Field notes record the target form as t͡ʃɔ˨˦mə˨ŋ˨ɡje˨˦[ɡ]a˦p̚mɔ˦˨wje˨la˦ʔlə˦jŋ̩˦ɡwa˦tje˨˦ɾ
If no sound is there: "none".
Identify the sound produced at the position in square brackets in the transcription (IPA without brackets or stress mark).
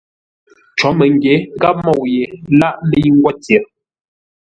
ɡ